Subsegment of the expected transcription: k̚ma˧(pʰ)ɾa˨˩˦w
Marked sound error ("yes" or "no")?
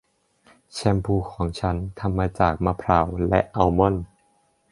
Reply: no